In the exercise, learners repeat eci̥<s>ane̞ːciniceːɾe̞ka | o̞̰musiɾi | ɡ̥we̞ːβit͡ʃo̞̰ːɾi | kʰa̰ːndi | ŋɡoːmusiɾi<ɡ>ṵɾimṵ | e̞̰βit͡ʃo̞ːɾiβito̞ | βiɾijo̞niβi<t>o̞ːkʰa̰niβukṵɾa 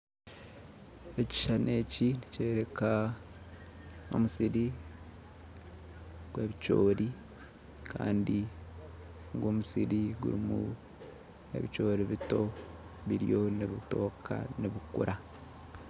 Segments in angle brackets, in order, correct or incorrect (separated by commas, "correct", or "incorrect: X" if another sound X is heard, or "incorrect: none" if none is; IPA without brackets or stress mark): incorrect: ʃ, correct, correct